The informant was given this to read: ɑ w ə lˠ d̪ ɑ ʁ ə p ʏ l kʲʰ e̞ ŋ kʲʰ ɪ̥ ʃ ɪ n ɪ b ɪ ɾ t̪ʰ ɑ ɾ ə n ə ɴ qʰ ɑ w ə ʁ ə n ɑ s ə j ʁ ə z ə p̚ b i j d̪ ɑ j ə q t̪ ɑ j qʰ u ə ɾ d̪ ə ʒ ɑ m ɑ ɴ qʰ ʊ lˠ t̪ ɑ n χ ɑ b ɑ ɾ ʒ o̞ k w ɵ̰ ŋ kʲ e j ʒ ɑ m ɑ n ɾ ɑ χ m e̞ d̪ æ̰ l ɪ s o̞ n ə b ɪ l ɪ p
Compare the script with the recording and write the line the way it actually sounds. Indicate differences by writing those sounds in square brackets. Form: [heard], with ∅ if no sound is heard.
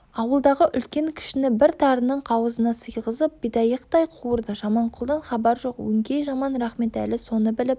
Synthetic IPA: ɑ w ə lˠ d̪ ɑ ʁ ə [ʔ] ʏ l [kʲ] e̞ ŋ kʲʰ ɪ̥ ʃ ɪ n ɪ b ɪ ɾ t̪ʰ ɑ ɾ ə n ə ɴ qʰ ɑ w ə [z] ə n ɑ s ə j ʁ ə z ə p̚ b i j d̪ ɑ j ə q t̪ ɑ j qʰ u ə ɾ d̪ ə ʒ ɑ m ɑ ɴ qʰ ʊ lˠ [d̪] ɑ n χ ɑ b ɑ ɾ ʒ o̞ [q] w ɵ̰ ŋ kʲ e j ʒ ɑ m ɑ n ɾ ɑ χ m e̞ [t̪] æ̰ l ɪ s o̞ n ə b ɪ l ɪ p